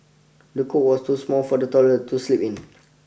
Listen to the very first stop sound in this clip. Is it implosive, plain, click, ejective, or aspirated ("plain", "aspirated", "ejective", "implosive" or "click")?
plain